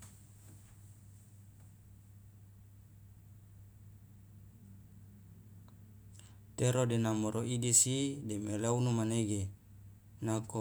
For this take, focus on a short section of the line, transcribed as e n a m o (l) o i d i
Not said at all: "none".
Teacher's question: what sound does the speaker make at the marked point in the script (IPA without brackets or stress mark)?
ɾ